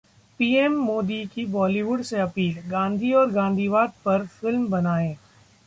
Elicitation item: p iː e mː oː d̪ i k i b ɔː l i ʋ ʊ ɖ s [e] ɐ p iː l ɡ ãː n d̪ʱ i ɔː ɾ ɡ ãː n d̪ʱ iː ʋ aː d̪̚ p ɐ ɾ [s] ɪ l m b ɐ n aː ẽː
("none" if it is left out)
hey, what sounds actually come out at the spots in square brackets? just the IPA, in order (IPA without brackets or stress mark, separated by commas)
e, f